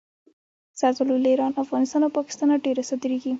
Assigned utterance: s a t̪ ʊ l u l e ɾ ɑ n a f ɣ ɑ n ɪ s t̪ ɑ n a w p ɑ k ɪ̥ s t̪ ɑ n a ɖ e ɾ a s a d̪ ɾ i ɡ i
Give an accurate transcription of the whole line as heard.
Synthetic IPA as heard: s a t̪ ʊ l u l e ɾ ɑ n a f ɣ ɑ n ɪ s t̪ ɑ n a w p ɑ k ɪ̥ s t̪ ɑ n a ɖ e ɾ a s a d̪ ɾ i ɡ i